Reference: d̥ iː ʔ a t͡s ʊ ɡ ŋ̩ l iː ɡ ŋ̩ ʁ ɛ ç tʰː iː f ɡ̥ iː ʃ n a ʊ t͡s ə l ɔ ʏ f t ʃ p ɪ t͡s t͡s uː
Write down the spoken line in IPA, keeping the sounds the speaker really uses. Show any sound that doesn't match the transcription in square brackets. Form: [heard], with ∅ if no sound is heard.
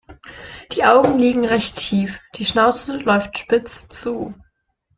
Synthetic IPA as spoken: d̥ iː ʔ a [∅] ʊ ɡ ŋ̩ l iː ɡ ŋ̩ ʁ ɛ ç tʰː iː f [d̥] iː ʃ n a ʊ t͡s ə l ɔ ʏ f t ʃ p ɪ t͡s t͡s uː